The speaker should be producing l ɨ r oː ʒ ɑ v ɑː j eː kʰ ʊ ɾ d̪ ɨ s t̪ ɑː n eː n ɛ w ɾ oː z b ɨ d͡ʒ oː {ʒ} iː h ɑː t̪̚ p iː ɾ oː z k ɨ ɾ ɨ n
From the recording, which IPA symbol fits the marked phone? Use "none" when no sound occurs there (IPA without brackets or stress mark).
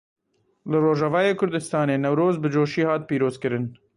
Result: ʃ